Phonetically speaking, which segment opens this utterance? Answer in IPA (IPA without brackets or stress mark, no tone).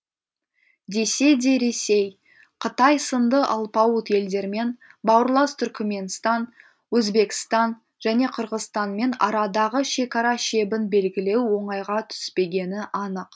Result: d̪